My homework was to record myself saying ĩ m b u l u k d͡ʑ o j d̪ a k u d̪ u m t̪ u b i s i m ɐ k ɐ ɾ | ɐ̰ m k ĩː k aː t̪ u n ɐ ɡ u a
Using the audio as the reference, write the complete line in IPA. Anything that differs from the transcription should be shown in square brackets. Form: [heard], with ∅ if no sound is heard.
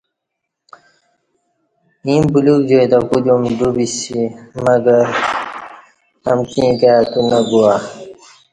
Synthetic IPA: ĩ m b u l u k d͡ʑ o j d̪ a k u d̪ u m [d̪] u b i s i m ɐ [ɡ] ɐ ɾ | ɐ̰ m k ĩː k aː t̪ u n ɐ ɡ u a